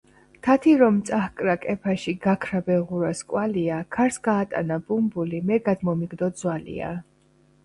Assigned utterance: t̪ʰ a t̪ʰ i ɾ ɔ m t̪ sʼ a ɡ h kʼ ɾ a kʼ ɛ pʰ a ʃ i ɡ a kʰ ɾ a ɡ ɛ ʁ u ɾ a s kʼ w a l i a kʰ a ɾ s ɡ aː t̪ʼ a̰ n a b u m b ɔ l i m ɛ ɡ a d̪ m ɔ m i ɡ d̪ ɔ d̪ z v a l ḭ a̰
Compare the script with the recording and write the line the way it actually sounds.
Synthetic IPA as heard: t̪ʰ a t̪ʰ i ɾ ɔ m t̪ sʼ a h kʼ ɾ a kʼ ɛ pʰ a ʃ i ɡ a kʰ ɾ a b ɛ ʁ u ɾ a s kʼ w a l i a kʰ a ɾ s ɡ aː t̪ʼ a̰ n a b u m b u l i m ɛ ɡ a d̪ m ɔ m i ɡ d̪ ɔ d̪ z w a l ḭ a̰